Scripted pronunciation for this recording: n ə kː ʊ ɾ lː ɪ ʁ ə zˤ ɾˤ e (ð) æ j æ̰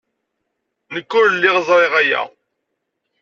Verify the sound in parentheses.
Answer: incorrect: ʁ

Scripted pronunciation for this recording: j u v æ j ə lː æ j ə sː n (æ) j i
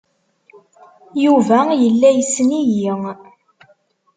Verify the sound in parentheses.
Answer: incorrect: i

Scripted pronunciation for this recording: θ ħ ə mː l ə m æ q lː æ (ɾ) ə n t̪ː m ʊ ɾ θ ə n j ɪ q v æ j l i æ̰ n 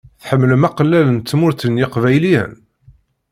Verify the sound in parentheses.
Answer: incorrect: l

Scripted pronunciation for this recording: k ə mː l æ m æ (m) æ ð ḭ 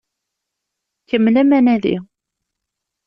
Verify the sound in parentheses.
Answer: incorrect: n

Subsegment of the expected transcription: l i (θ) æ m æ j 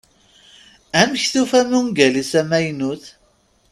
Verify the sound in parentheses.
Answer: incorrect: s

